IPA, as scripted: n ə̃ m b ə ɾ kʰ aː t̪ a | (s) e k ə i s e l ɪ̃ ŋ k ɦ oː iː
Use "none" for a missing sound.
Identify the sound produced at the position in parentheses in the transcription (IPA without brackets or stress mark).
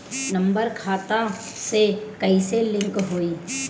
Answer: s